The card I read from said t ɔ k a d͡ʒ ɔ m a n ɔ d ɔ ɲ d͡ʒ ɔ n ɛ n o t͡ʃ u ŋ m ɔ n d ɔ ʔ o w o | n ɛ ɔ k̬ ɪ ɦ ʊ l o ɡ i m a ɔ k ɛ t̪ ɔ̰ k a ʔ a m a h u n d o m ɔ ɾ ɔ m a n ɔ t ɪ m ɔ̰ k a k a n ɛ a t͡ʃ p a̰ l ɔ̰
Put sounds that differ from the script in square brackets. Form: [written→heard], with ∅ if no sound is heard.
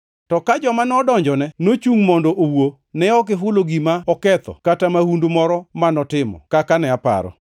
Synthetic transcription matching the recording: t ɔ k a d͡ʒ ɔ m a n ɔ d ɔ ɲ d͡ʒ ɔ n ɛ n o t͡ʃ u ŋ m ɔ n d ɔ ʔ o w o | n ɛ ɔ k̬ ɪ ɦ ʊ l o ɡ i m a ɔ k ɛ t̪ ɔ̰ k a [ʔ→t] a m a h u n d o m ɔ ɾ ɔ m a n ɔ t ɪ m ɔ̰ k a k a n ɛ a [t͡ʃ→∅] p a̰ [l→ɾ] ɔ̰